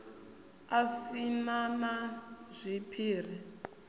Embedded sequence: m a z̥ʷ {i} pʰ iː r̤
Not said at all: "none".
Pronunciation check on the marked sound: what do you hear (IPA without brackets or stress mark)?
i